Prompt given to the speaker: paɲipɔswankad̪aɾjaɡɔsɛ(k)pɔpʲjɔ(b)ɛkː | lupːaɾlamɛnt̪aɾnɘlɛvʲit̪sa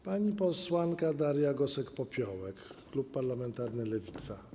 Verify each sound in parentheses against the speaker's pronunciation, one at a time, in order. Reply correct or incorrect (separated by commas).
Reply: correct, incorrect